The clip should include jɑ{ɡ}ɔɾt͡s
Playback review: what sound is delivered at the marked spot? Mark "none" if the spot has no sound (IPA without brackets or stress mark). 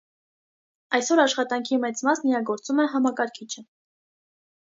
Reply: ɡ